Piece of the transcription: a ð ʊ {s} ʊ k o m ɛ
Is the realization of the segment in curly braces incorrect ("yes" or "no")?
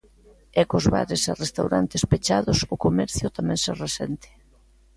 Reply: no